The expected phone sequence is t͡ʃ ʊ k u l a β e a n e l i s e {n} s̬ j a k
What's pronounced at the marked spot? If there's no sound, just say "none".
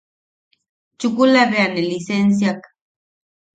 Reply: n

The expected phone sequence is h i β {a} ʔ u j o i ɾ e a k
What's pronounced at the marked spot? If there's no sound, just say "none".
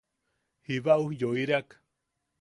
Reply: a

